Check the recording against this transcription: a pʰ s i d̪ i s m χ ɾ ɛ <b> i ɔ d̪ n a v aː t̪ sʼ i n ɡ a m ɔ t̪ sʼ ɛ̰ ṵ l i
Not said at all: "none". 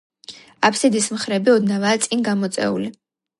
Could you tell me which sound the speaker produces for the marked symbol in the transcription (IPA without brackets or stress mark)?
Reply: b